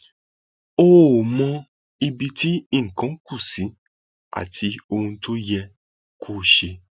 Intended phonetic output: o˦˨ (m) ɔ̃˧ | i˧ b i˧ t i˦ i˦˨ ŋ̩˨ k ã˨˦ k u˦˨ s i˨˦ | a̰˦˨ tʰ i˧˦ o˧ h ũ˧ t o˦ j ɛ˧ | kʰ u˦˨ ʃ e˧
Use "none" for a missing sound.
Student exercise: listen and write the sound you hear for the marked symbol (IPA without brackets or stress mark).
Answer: m